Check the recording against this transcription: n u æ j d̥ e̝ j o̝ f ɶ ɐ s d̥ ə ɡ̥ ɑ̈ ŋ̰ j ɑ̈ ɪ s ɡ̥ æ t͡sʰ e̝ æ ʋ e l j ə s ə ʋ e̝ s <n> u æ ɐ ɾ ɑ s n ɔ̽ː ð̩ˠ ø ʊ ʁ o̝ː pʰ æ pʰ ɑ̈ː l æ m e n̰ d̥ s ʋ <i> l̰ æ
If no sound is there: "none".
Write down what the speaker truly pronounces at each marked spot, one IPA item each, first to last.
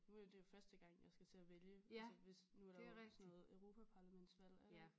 n, æ

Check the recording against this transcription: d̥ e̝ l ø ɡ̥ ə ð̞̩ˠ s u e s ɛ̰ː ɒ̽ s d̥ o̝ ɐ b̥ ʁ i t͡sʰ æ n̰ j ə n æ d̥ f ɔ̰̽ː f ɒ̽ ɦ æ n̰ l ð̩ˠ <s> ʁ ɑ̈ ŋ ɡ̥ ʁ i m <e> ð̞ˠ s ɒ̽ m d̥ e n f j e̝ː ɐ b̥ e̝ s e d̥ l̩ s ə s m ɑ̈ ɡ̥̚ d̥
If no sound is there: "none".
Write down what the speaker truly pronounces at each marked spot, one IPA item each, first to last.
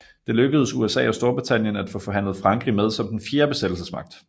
f, e

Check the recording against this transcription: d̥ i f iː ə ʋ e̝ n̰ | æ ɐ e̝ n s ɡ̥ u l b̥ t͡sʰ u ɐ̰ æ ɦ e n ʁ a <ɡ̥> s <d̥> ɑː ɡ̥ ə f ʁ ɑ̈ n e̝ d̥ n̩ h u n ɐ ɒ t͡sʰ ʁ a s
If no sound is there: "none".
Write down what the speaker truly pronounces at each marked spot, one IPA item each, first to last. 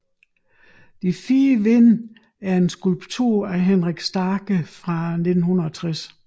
ɡ̥, d̥

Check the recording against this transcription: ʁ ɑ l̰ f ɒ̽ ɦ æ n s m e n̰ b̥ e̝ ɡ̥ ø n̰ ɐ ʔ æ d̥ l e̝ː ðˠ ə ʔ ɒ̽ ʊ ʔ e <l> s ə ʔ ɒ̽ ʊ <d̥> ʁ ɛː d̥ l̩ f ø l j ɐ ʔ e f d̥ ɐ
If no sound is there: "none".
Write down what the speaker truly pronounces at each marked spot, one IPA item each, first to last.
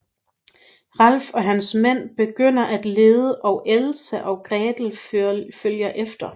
l, ɡ̥

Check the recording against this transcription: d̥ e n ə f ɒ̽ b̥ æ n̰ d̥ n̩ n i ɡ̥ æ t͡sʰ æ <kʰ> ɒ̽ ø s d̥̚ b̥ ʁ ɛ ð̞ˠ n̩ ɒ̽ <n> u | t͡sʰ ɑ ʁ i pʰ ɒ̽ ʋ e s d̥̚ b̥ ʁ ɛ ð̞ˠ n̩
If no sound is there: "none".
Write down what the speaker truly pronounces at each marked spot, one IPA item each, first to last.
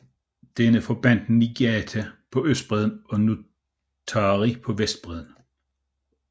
pʰ, n

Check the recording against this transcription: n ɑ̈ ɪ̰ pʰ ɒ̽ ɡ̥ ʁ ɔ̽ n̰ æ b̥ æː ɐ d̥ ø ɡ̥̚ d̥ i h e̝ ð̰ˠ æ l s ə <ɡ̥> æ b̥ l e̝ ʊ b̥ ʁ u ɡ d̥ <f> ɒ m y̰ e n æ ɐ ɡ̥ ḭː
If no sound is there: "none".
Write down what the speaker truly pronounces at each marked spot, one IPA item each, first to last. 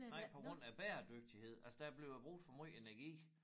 d̥, f

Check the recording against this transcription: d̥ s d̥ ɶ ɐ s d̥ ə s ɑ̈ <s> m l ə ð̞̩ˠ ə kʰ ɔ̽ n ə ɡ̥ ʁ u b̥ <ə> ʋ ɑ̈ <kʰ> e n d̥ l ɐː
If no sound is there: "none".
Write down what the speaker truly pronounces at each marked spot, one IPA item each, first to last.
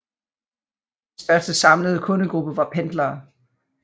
none, ə, pʰ

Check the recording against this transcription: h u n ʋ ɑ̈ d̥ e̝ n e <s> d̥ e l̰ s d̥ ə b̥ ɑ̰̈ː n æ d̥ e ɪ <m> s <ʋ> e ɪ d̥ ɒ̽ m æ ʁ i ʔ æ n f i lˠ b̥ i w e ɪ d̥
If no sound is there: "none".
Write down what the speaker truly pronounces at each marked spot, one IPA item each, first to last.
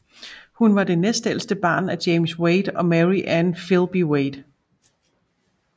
s, m, w

